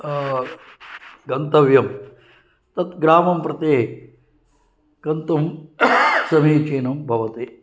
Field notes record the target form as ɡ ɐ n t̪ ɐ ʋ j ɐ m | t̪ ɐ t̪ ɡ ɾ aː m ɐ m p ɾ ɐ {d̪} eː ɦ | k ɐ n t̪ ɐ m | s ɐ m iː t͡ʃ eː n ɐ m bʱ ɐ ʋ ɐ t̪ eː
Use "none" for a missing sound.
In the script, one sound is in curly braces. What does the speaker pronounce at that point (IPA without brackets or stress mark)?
t̪